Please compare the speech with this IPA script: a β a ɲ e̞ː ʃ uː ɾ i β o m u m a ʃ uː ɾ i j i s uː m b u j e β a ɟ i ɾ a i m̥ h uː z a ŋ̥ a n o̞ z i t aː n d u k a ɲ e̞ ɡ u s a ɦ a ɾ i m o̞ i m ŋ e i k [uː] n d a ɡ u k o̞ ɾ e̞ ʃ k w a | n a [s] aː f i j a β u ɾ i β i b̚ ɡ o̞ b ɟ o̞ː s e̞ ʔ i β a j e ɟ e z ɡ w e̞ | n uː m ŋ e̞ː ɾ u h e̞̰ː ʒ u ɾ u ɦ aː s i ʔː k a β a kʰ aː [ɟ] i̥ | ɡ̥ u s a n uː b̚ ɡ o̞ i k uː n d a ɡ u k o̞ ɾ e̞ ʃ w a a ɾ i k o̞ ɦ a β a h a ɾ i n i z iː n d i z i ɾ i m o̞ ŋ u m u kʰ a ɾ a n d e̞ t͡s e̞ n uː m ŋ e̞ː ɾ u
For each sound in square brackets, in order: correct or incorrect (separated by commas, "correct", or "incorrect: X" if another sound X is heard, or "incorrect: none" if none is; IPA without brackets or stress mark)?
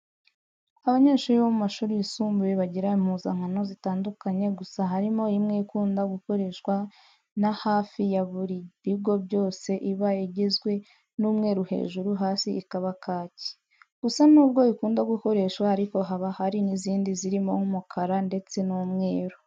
correct, incorrect: h, incorrect: c